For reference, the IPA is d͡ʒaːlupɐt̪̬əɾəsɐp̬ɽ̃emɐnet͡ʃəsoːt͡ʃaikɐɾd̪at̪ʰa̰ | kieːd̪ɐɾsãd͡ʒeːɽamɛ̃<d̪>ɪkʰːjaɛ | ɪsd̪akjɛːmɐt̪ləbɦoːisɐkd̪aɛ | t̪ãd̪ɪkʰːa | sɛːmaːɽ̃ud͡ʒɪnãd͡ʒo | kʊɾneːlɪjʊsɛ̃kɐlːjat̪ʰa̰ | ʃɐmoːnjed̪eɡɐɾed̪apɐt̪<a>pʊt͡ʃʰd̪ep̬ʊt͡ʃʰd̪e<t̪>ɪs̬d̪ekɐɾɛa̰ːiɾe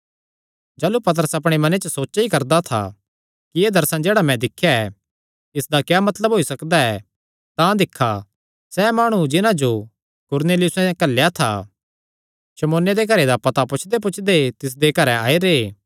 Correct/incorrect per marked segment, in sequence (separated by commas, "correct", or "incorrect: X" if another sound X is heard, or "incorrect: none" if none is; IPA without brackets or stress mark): correct, correct, correct